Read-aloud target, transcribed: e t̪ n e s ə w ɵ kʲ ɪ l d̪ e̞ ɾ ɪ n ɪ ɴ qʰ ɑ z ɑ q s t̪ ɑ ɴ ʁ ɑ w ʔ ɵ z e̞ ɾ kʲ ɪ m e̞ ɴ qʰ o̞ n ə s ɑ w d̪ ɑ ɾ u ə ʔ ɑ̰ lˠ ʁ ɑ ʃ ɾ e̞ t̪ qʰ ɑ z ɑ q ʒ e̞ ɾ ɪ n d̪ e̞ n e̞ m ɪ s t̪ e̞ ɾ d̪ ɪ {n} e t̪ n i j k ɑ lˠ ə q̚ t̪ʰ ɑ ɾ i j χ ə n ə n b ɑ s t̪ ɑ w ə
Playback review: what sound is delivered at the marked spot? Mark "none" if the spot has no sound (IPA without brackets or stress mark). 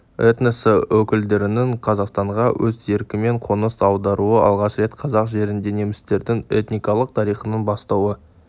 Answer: ŋ